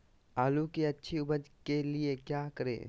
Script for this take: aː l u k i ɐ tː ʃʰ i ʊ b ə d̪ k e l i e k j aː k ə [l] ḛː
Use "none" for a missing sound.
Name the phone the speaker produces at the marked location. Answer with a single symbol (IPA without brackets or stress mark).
ɾ